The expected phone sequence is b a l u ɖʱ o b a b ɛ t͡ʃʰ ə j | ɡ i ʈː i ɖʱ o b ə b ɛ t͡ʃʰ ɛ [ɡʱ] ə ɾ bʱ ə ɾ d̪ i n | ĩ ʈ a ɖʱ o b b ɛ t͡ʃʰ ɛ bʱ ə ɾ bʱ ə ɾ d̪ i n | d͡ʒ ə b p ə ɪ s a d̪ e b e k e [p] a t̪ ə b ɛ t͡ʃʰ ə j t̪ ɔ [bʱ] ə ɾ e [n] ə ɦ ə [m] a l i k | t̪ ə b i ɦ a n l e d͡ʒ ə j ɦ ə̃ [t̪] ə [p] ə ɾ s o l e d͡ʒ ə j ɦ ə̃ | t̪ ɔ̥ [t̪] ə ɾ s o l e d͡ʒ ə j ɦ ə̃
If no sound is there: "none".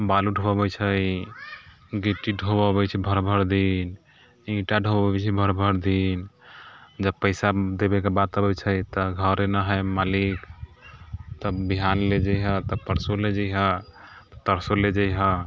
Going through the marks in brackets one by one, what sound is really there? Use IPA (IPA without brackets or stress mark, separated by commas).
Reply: bʱ, b, ɡʱ, n, m, t̪, p, t̪